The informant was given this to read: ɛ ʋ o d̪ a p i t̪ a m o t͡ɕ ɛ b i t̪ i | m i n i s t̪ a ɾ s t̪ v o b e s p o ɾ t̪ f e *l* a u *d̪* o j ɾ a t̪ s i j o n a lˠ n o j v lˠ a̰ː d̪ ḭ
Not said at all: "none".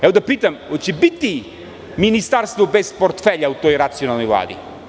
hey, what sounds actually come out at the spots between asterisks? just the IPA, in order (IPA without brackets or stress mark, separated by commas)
ʎ, t̪